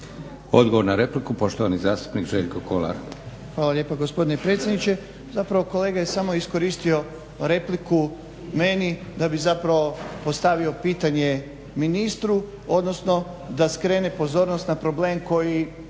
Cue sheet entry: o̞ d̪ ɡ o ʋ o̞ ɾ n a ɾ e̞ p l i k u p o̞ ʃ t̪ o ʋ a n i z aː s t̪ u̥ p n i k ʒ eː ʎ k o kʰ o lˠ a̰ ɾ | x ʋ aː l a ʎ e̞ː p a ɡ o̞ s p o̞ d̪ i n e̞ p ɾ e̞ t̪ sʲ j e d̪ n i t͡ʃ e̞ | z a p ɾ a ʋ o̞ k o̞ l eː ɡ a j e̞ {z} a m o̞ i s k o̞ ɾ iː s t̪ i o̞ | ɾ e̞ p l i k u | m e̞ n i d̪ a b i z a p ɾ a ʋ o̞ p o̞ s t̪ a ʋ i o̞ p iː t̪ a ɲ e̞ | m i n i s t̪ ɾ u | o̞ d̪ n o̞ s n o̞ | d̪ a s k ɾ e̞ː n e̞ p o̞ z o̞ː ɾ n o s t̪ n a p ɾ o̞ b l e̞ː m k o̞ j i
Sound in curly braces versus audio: incorrect: s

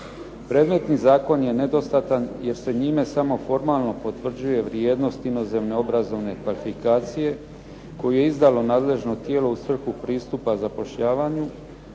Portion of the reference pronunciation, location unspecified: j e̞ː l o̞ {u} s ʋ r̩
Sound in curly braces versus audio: correct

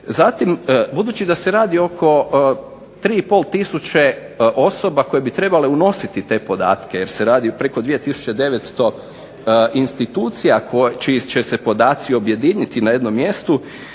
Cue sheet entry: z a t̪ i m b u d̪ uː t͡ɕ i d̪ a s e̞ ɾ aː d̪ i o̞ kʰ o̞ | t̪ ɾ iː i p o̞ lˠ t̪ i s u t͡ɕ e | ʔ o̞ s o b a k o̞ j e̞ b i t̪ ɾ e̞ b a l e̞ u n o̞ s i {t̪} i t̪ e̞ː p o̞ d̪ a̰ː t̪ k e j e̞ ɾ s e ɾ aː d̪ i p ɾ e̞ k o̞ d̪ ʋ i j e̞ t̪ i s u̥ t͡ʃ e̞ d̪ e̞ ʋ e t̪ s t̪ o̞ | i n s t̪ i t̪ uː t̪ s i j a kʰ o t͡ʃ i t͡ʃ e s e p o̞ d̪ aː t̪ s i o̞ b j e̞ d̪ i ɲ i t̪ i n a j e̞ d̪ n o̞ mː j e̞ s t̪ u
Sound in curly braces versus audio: correct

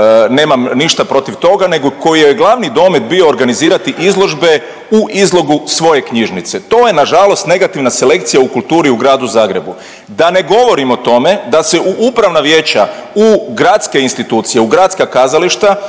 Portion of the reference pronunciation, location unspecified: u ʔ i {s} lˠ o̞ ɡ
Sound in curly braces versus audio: incorrect: z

